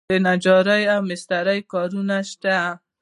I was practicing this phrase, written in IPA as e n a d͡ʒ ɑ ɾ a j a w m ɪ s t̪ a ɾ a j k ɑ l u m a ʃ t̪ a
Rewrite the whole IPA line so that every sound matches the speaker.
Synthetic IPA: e n a d͡ʒ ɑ ɾ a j a w m ɪ s t̪ a ɾ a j k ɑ ɾ u n a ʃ t̪ a